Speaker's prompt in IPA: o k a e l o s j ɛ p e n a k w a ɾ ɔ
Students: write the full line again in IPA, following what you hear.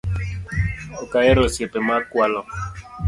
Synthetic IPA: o k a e ɾ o s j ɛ p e m a k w a l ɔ